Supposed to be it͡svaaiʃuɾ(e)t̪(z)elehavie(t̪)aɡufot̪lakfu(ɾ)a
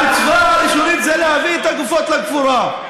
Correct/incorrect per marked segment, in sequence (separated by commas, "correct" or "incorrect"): incorrect, correct, correct, correct